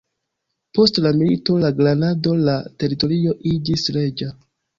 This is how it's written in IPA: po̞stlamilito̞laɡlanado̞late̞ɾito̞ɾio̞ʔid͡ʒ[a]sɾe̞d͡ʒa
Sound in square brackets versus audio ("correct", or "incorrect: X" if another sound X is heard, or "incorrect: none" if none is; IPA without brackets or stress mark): incorrect: i